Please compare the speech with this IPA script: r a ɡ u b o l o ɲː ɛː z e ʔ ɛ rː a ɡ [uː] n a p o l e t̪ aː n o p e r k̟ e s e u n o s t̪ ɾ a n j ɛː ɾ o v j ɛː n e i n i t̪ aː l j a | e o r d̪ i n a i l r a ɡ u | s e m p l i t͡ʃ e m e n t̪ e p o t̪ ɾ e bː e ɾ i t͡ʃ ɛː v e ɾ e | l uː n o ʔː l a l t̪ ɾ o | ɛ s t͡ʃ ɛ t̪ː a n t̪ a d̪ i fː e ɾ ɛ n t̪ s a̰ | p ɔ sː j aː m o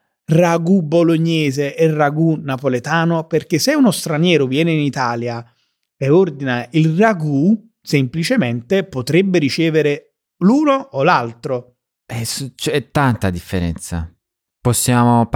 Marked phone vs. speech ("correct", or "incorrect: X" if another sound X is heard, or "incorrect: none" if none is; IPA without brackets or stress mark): incorrect: u